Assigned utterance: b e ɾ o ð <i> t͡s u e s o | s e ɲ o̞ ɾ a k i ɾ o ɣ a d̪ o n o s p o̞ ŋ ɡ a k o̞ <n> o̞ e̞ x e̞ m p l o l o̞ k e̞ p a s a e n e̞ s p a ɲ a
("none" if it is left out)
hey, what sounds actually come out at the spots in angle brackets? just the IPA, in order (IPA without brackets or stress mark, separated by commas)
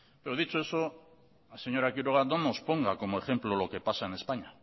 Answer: i, m